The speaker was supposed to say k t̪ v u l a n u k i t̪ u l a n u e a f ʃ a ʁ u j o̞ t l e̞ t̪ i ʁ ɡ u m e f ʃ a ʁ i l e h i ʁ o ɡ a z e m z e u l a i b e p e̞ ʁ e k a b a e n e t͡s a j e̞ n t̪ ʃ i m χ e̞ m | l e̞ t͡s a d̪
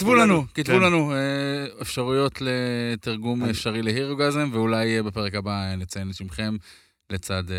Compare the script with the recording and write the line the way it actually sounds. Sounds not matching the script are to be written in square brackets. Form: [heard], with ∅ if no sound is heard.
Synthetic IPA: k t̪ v u l a n u k i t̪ u l a n u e [e] f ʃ a ʁ u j o̞ t l e̞ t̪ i ʁ ɡ u m e f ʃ a ʁ i l e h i ʁ o ɡ a z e m [v] e u l a [j] b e p e̞ ʁ e k a b a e n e t͡s a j e̞ n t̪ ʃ i m χ e̞ m | l e̞ t͡s a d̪